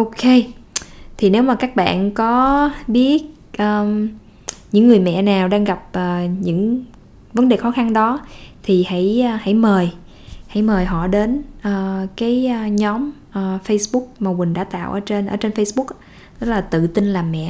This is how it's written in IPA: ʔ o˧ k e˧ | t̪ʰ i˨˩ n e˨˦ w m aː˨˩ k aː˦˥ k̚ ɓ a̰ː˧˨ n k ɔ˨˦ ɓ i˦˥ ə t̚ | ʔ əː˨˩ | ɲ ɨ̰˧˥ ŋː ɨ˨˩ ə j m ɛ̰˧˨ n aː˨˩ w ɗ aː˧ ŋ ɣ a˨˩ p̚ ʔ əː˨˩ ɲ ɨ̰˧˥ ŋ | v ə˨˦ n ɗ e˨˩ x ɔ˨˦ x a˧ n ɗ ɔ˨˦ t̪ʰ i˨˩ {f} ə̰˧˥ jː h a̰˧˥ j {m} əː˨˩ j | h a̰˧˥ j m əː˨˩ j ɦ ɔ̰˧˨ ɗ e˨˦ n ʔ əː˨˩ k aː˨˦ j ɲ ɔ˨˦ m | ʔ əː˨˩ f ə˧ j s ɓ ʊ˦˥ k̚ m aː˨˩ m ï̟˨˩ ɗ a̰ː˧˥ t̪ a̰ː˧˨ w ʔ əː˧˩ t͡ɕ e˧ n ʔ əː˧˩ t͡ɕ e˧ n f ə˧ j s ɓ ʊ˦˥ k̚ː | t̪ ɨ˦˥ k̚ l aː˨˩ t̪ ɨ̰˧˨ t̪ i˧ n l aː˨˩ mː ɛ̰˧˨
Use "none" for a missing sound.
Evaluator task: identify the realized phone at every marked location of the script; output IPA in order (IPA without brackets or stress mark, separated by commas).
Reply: h, m